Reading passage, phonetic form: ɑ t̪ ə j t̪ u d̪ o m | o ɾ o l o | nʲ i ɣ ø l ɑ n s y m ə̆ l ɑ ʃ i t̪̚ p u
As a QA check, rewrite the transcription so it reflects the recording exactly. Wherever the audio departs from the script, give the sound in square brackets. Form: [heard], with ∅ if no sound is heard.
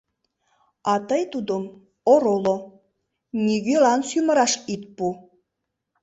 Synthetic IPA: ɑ t̪ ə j t̪ u d̪ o m | o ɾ o l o | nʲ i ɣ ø l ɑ n s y m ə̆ [ɾ] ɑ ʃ i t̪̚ p u